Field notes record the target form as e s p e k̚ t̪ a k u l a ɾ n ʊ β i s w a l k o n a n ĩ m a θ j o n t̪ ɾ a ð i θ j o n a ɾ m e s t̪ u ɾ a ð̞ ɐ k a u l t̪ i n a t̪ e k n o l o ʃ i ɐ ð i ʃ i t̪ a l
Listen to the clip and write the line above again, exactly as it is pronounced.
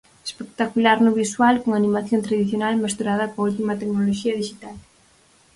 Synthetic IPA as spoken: e s p e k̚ t̪ a k u l a ɾ n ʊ β i s w a l k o ŋ a n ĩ m a θ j o n t̪ ɾ a ð i θ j o n a l m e s t̪ u ɾ a ð̞ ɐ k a u l t̪ i m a t̪ e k n o l o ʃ i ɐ ð i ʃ i t̪ a l